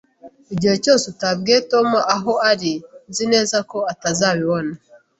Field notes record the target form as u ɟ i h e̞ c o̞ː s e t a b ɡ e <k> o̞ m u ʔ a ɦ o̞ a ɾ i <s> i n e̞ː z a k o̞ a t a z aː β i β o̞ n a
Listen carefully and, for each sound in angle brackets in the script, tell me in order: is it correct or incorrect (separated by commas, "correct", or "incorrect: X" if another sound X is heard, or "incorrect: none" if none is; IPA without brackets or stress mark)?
incorrect: t, incorrect: z